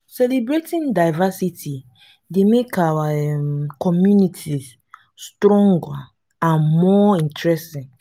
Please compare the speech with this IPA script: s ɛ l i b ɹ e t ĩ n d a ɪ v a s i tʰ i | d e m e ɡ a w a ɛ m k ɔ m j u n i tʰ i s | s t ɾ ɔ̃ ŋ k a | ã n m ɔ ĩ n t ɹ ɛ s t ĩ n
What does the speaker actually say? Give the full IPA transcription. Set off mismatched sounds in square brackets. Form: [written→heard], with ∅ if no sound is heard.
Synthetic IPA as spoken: s ɛ l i b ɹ e t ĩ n d a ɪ v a s i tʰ i | d e m e [ɡ→k] a w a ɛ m k ɔ m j u n i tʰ i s | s t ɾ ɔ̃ ŋ [k→ɡ] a | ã n m ɔ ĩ n t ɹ ɛ s t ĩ n